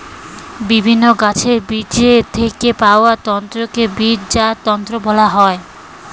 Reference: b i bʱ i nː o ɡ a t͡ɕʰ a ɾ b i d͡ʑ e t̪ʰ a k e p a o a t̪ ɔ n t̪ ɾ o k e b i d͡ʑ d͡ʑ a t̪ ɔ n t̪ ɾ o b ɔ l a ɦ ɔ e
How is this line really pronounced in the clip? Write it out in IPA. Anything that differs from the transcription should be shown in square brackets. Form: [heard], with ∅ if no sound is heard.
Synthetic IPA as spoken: b i bʱ i nː o ɡ a t͡ɕʰ [e] ɾ b i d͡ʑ e t̪ʰ [e] k e p a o a t̪ ɔ n t̪ ɾ o k e b i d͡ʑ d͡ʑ a t̪ ɔ n t̪ ɾ o b ɔ l a ɦ ɔ e

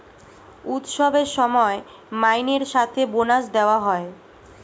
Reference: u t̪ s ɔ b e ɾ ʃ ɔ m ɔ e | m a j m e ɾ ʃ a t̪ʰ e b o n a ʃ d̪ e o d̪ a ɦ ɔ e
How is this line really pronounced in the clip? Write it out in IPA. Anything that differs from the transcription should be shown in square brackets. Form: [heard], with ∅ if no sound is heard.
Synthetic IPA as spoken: u t̪ [ʃ] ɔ b e ɾ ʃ ɔ m ɔ e | m a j [n] e ɾ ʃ a t̪ʰ e b o n a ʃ d̪ e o [∅] a ɦ ɔ e

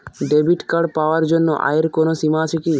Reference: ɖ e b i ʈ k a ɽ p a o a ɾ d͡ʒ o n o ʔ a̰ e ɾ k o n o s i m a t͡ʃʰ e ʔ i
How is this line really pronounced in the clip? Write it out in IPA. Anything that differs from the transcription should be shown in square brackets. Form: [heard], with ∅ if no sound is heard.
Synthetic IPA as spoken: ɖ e b i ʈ k a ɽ p a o a ɾ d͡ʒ o [nː] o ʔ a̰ e ɾ k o n o s i m a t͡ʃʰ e [k] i

